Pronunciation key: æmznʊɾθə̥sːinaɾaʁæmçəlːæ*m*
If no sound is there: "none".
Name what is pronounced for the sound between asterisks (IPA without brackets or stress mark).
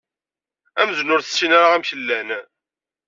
n